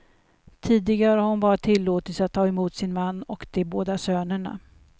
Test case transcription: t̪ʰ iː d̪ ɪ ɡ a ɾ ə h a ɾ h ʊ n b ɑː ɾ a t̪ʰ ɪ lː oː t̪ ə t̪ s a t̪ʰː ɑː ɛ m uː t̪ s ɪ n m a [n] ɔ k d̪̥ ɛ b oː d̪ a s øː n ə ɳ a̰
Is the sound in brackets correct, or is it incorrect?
incorrect